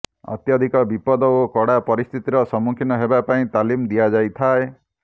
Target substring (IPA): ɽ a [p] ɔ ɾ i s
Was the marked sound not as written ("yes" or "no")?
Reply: no